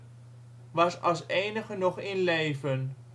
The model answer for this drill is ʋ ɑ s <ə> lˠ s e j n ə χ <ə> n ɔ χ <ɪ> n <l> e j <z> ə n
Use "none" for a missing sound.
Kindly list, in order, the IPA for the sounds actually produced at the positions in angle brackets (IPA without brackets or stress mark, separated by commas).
ɑ, ə, ɪ, l, v